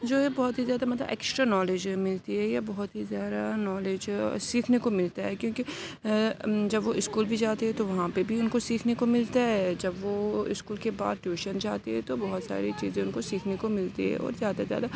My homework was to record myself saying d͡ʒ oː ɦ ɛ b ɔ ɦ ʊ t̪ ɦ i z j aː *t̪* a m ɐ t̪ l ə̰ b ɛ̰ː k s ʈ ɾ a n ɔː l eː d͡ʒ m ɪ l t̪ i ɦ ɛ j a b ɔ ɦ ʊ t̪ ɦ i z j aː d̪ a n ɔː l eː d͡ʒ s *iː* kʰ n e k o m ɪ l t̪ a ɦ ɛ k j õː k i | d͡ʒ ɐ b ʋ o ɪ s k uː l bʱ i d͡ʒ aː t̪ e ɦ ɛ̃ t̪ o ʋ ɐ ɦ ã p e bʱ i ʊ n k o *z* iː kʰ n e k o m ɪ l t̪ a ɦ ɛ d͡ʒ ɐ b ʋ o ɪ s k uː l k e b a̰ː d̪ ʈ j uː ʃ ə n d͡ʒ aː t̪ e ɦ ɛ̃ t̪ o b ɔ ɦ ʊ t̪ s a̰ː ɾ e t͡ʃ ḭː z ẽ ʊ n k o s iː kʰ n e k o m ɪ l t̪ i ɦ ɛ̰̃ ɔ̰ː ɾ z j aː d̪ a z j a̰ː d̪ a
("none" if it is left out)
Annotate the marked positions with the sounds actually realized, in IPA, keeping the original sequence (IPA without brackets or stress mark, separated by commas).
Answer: d̪, iː, s